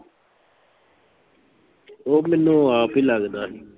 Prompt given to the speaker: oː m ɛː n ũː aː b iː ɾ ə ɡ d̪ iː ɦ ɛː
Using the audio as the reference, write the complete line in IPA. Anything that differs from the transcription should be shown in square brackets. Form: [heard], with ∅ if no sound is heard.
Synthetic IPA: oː m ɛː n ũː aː [p] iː [l] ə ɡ d̪ [aː] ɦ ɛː